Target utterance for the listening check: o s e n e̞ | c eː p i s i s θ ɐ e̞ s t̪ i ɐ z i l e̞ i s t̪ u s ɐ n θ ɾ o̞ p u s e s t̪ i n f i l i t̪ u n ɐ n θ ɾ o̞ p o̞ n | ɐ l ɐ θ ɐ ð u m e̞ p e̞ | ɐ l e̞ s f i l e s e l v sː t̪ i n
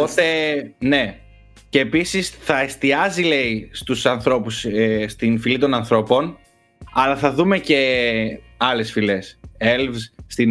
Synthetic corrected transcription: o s e n e̞ | c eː p i s i s θ ɐ e̞ s t̪ i ɐ z i l e̞ i s t̪ u s ɐ n θ ɾ o̞ p u s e s t̪ i n f i l i t̪ o n ɐ n θ ɾ o̞ p o̞ n | ɐ l ɐ θ ɐ ð u m e̞ c e̞ | ɐ l e̞ s f i l e s e l v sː t̪ i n